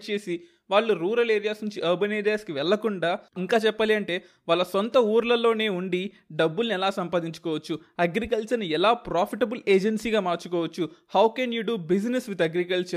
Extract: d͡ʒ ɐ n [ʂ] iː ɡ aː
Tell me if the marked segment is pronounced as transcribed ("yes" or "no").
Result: no